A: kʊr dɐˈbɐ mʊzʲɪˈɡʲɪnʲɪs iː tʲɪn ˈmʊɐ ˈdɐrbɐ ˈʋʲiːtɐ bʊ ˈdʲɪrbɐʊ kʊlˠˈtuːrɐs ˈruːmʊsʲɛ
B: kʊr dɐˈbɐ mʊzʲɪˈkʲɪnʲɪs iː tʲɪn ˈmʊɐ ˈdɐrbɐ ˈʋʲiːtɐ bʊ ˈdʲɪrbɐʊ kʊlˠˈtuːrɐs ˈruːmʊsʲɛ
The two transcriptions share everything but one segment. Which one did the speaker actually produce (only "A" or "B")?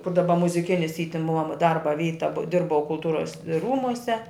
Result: B